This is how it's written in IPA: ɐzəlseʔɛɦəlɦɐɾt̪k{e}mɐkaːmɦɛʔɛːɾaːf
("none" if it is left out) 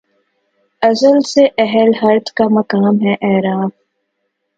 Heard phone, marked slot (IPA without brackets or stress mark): a